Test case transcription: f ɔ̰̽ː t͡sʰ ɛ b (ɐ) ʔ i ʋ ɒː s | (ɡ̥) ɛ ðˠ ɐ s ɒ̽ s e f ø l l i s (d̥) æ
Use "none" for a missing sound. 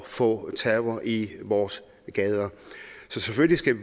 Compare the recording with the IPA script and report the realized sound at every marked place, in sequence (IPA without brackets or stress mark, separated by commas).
ɐ, ɡ̥, ɡ̥